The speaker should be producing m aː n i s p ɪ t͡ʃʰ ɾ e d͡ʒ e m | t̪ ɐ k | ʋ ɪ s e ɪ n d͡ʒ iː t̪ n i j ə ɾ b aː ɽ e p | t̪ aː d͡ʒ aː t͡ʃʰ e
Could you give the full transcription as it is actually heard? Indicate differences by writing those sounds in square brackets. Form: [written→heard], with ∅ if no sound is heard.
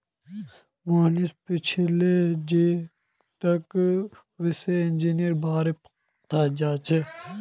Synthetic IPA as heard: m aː n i s p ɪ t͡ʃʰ [ɾ→l] e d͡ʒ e [m→∅] | t̪ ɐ k | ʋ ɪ s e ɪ n d͡ʒ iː [t̪→∅] n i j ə ɾ b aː [ɽ→ɾ] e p | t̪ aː d͡ʒ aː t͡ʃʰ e

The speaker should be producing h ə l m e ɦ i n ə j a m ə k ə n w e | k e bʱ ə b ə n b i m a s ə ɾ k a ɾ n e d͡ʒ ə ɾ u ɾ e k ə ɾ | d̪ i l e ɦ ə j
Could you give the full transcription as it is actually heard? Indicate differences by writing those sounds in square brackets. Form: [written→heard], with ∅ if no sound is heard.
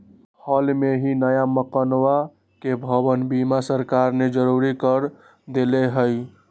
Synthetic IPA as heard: h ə l m e ɦ i n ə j a m ə k ə n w [e→a] | k e bʱ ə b ə n b i m a s ə ɾ k a ɾ n e d͡ʒ ə ɾ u ɾ [e→i] k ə ɾ | d̪ [i→e] l e ɦ ə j

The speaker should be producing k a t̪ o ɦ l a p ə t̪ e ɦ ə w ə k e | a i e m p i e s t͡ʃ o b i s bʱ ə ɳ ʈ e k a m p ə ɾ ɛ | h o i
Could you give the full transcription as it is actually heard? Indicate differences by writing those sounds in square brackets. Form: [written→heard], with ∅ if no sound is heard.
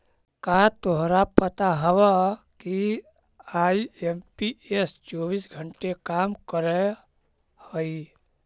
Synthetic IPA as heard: k a t̪ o ɦ [l→ɾ] a p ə t̪ [e→a] ɦ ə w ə k [e→i] | a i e m p i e s t͡ʃ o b i s [bʱ→ɡʱ] ə ɳ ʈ e k a m [p→k] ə ɾ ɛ | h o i

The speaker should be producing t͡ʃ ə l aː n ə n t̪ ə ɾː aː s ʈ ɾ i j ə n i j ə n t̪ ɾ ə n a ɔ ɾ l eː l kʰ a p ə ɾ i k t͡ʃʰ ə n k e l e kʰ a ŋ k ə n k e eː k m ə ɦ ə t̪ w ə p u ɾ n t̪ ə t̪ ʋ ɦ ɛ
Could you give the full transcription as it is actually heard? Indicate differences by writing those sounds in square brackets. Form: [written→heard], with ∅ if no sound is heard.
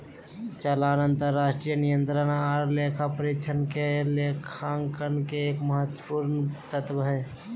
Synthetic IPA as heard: t͡ʃ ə l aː n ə n t̪ ə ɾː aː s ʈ ɾ i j ə n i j ə n t̪ ɾ ə n a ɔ ɾ l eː [l→∅] kʰ a p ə ɾ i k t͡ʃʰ ə n k e l e kʰ a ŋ k ə n k e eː k m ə ɦ ə t̪ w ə p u ɾ n t̪ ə t̪ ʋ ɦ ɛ

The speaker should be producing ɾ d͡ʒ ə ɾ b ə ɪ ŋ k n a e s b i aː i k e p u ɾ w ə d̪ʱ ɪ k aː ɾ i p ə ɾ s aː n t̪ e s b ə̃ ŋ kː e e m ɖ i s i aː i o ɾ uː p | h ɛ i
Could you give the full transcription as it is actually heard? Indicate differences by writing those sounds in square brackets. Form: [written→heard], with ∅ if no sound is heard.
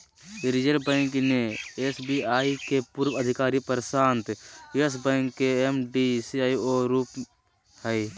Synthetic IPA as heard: ɾ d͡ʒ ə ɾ b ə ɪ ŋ k n [a→e] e s b i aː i k e p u ɾ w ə d̪ʱ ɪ k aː ɾ i p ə ɾ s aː n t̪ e s b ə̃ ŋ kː e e m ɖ i s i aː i o ɾ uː p | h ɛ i

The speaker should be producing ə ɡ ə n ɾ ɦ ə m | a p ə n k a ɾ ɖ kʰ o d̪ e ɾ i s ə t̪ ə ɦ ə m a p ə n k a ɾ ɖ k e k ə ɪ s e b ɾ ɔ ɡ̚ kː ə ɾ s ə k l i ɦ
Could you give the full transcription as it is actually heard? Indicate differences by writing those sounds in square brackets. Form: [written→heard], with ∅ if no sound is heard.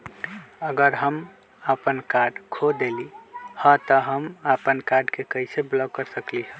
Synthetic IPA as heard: ə ɡ ə [n→∅] ɾ ɦ ə m | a p ə n k a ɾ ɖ kʰ o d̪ e [ɾ→l] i [s→h] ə t̪ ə ɦ ə m a p ə n k a ɾ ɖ k e k ə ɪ s e b [ɾ→l] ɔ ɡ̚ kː ə ɾ s ə k l i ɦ

